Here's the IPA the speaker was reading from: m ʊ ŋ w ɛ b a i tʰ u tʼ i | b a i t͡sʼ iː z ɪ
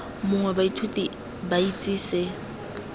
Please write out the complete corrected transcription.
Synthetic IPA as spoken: m ʊ ŋ w ɛ b a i tʰ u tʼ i | b a i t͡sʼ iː s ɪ